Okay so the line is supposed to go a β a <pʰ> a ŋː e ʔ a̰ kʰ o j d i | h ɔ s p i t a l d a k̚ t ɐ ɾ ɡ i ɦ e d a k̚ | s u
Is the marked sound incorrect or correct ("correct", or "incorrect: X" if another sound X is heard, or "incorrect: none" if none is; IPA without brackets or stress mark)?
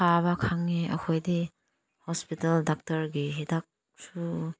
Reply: incorrect: kʰ